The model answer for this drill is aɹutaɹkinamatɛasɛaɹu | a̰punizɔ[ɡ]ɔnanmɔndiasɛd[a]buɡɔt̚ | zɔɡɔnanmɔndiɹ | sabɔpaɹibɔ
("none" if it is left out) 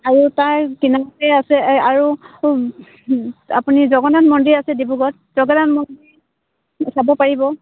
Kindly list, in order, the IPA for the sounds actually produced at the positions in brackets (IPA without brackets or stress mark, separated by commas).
ɡ, i